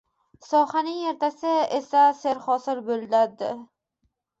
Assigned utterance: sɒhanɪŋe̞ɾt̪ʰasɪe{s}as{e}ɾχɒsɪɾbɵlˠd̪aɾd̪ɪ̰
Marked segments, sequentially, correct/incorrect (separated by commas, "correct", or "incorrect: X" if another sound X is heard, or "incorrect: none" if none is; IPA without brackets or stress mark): correct, correct